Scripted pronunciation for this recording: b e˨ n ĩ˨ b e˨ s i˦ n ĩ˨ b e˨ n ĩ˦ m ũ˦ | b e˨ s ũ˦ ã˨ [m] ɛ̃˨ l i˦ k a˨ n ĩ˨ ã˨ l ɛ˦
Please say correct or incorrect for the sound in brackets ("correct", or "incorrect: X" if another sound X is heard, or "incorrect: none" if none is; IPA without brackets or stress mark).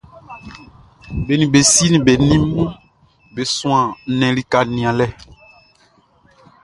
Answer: incorrect: n